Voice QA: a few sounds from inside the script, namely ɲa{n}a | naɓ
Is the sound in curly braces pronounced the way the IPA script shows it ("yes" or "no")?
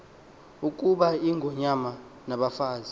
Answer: no